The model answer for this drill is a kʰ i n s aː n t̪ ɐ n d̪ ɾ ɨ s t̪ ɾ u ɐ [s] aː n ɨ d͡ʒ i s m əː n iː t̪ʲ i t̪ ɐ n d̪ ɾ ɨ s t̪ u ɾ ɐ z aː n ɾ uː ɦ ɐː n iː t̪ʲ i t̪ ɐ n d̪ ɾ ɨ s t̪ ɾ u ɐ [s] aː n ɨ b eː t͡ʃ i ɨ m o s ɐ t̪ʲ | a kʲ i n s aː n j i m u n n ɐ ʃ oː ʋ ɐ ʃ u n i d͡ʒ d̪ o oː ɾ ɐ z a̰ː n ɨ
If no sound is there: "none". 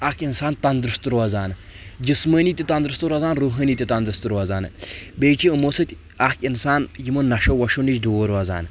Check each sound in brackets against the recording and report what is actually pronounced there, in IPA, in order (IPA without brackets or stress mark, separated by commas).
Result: z, z